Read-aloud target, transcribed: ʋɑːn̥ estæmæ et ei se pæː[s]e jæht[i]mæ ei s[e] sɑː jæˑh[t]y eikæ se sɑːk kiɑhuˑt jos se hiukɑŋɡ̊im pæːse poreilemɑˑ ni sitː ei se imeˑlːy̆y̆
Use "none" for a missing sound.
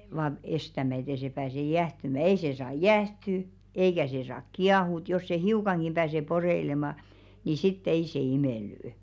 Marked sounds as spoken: s, y, e, t

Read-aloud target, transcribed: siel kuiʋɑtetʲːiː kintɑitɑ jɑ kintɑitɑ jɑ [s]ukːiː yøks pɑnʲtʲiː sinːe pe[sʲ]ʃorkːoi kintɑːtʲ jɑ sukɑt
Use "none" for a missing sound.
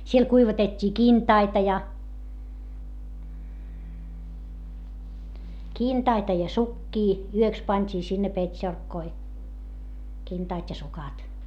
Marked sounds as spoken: s, tʲ

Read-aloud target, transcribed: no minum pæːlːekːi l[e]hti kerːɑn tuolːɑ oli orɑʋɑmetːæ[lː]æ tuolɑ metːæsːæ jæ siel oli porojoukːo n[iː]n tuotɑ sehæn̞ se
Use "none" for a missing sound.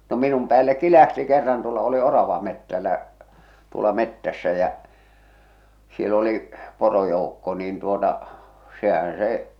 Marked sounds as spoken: æ, lː, iː

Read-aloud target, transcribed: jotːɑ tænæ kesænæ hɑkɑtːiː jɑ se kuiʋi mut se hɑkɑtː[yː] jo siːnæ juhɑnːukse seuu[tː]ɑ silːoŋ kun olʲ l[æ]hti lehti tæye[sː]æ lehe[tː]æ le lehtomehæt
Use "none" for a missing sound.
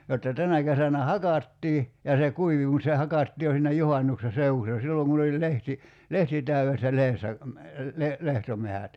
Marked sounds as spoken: iː, sː, e, sː, sː

